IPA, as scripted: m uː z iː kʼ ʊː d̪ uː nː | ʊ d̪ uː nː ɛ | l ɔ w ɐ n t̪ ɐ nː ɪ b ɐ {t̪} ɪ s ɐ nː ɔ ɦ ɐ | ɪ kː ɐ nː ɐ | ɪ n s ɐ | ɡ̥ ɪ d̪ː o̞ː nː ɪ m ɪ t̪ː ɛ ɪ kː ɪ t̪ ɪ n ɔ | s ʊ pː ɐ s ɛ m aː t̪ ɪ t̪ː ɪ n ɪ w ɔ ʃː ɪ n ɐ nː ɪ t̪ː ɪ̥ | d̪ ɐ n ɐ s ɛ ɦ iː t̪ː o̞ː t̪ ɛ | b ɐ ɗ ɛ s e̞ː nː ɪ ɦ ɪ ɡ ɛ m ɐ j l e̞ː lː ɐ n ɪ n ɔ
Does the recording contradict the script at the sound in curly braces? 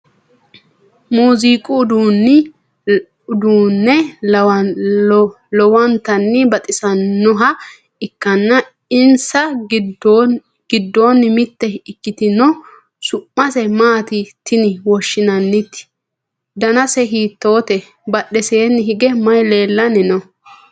yes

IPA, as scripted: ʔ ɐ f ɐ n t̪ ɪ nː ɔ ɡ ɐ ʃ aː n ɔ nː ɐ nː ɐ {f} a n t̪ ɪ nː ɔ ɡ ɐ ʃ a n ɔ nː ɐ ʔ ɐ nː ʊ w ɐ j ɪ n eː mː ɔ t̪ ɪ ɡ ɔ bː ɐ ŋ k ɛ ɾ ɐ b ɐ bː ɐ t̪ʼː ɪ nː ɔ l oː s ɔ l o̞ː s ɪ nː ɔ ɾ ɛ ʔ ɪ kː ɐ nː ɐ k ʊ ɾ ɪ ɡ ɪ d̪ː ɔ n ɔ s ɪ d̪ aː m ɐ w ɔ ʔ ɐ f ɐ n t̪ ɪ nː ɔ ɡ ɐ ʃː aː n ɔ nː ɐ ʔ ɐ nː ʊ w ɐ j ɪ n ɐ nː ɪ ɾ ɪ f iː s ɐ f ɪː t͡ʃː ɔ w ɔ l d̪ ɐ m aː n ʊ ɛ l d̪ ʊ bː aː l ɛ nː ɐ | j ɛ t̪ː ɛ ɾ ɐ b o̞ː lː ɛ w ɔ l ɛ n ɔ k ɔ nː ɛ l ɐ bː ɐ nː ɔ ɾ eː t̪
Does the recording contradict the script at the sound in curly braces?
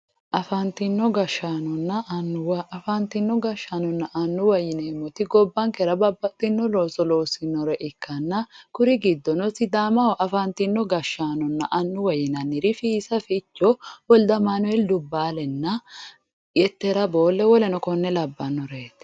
no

